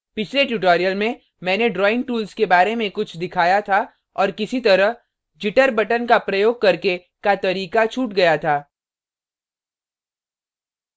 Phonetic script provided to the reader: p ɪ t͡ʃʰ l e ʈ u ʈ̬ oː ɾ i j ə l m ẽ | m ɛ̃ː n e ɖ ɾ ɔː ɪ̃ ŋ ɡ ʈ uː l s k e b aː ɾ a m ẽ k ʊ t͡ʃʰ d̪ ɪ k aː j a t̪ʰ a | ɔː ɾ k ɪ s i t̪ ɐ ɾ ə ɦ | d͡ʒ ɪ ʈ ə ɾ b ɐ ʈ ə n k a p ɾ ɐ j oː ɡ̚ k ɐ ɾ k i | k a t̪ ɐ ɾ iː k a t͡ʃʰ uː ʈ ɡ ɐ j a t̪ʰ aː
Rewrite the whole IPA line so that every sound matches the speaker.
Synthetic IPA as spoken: p ɪ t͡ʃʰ l e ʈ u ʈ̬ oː ɾ i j ə l m ẽ | m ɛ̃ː n e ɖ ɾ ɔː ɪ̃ ŋ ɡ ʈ uː l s k e b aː ɾ e m ẽ k ʊ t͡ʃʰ d̪ ɪ kʰ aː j a t̪ʰ a | ɔː ɾ k ɪ s i t̪ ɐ ɾ ə ɦ | d͡ʒ ɪ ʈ ə ɾ b ɐ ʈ ə n k a p ɾ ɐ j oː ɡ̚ k ɐ ɾ k e | k a t̪ ɐ ɾ iː k a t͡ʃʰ uː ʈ ɡ ɐ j a t̪ʰ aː